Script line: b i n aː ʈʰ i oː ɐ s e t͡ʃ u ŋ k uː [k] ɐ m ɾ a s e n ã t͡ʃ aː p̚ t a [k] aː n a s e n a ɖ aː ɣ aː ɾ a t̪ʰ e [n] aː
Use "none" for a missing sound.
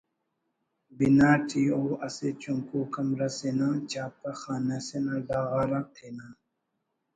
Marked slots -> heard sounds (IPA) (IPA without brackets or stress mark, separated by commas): k, x, n